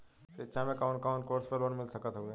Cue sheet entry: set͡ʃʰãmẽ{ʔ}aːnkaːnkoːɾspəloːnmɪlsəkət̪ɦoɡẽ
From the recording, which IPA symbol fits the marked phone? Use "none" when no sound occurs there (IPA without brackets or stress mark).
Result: k